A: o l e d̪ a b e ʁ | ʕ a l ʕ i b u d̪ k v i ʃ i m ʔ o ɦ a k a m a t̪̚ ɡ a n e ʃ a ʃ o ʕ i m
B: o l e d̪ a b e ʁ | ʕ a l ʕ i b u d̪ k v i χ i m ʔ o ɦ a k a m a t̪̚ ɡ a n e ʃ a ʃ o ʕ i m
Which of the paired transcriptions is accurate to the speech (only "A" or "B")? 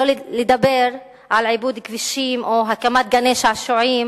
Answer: A